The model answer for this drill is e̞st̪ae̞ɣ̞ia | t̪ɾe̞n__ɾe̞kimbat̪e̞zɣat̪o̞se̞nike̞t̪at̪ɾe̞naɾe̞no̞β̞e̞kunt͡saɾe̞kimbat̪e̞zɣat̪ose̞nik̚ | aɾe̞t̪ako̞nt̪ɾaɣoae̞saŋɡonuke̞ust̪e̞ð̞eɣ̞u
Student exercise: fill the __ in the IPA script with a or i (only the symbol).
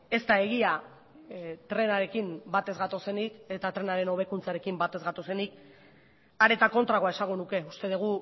a